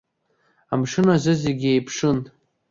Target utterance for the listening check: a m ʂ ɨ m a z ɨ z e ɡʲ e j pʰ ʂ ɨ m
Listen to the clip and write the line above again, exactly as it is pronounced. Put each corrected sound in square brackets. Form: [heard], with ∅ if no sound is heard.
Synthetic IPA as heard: a m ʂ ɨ [n] a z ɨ z e ɡʲ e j pʰ ʂ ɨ [n]